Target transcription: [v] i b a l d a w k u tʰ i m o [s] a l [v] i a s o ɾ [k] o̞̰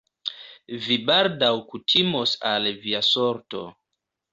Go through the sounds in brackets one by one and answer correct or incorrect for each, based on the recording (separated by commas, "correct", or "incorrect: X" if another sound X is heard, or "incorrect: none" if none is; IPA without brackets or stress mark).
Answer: correct, correct, correct, incorrect: t